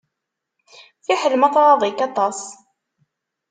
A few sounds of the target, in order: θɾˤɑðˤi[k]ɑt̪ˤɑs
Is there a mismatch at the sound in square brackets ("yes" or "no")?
no